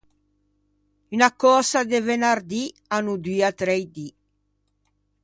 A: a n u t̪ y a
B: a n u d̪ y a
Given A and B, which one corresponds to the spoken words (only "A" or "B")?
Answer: B